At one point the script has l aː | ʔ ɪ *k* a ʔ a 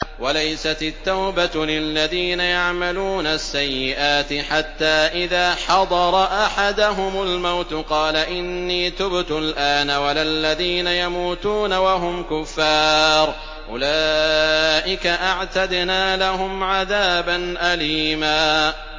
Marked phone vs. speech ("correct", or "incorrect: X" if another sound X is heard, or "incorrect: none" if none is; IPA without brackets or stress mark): correct